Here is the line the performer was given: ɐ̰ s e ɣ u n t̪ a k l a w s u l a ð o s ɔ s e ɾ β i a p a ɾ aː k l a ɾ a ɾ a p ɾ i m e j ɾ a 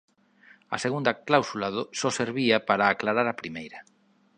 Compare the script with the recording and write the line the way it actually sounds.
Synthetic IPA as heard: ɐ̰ s e ɣ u n d̪ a k l a w s u l a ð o s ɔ s e ɾ β i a p a ɾ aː k l a ɾ a ɾ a p ɾ i m e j ɾ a